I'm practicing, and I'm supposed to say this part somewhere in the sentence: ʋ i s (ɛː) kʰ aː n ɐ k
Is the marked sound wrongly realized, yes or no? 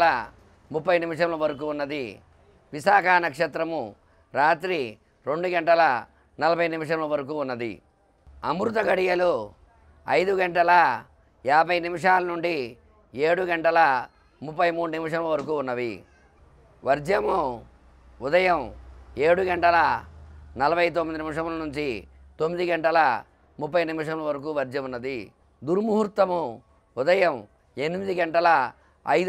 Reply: yes